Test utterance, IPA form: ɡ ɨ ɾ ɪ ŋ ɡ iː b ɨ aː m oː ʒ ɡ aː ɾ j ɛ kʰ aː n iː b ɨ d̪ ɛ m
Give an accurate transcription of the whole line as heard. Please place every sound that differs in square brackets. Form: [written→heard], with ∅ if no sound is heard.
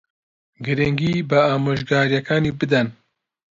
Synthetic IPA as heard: ɡ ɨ ɾ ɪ ŋ ɡ iː b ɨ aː m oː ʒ ɡ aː ɾ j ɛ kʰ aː n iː b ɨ d̪ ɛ [m→n]